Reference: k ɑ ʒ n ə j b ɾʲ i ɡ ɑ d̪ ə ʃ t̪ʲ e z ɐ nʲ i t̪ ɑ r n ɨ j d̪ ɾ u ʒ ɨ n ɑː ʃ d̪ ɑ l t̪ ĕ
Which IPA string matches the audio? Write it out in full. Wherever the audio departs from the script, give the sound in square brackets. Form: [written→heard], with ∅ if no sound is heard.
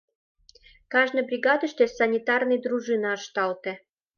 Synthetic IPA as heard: k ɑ ʒ n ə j b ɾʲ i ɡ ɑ d̪ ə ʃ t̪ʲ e [z→s] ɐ nʲ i t̪ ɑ r n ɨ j d̪ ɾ u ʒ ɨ n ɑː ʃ [d̪→t̪] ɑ l t̪ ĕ